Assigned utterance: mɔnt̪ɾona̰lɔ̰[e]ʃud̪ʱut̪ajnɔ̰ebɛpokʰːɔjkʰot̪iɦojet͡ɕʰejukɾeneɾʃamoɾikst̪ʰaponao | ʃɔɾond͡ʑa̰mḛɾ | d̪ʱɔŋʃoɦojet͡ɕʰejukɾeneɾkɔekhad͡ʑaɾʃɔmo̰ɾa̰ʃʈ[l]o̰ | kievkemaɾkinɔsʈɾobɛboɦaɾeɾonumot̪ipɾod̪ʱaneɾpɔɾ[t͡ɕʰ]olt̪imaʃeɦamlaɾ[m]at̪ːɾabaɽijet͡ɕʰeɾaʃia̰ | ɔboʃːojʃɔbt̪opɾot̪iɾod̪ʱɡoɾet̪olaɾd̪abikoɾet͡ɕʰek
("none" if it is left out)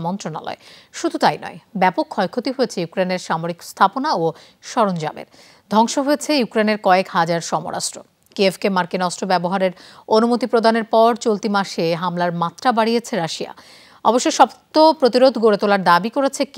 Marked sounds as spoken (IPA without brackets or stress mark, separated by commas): e, ɾ, t͡ɕ, m